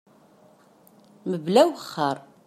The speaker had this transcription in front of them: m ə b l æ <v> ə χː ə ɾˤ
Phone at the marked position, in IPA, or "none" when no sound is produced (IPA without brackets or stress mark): w